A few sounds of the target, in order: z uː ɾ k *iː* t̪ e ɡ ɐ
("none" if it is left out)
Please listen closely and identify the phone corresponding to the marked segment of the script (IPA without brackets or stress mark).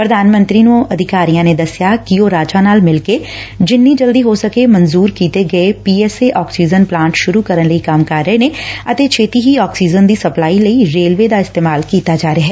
iː